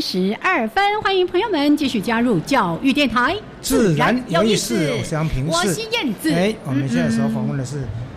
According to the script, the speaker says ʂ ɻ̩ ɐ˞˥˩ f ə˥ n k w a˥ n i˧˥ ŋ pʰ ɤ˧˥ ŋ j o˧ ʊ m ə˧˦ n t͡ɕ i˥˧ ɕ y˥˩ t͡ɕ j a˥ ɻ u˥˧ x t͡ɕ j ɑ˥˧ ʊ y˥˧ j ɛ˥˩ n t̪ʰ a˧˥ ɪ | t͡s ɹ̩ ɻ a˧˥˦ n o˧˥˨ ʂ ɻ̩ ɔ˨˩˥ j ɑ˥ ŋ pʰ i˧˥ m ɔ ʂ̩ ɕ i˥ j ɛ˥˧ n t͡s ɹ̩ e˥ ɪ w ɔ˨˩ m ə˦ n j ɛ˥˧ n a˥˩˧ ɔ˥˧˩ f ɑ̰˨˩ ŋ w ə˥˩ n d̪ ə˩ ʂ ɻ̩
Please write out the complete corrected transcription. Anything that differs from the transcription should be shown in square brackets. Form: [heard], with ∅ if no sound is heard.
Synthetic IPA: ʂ ɻ̩ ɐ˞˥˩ f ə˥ n [x] w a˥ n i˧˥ ŋ pʰ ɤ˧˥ ŋ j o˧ ʊ m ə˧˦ n t͡ɕ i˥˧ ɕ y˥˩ t͡ɕ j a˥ ɻ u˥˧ [∅] t͡ɕ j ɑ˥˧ ʊ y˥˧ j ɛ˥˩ n t̪ʰ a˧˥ ɪ | t͡s ɹ̩ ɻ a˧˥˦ n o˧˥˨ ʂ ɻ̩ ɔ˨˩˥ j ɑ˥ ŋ pʰ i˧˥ [ŋ] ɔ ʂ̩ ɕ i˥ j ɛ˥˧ n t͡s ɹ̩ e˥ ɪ w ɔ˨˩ m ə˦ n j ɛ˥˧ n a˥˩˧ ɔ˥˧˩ f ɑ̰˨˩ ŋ w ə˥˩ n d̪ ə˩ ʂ ɻ̩